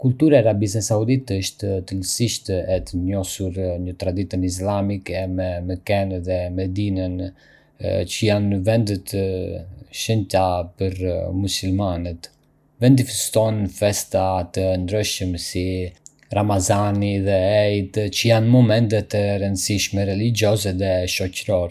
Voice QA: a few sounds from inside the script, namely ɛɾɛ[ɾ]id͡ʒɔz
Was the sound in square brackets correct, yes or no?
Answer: no